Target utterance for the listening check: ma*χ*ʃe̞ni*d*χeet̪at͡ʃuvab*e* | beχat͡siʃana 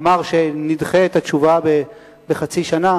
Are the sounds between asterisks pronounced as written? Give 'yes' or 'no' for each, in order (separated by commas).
no, yes, yes